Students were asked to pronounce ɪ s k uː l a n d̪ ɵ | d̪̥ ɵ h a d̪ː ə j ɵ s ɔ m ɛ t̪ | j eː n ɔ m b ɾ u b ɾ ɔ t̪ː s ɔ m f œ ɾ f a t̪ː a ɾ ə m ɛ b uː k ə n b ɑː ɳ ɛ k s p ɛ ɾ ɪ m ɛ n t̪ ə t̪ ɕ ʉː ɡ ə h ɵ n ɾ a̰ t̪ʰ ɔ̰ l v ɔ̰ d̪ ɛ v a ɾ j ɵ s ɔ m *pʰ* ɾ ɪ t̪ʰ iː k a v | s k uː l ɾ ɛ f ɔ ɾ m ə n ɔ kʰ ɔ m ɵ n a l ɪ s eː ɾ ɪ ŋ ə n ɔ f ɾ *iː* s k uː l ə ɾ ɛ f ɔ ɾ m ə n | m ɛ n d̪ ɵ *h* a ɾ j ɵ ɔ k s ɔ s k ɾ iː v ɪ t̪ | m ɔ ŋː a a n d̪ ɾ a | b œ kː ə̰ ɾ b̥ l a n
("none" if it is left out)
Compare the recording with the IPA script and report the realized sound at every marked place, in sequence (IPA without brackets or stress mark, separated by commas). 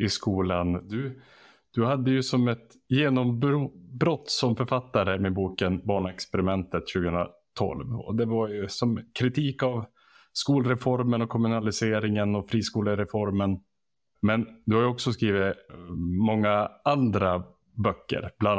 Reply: kʰ, iː, h